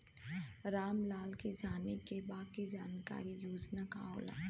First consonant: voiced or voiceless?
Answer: voiced